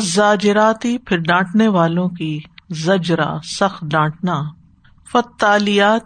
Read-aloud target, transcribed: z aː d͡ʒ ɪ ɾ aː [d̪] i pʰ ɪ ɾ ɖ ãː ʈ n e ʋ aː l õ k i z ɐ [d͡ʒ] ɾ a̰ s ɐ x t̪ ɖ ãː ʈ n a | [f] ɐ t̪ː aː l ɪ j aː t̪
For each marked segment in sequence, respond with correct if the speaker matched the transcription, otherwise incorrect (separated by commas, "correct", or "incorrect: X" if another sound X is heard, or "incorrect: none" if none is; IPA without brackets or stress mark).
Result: incorrect: t̪, correct, correct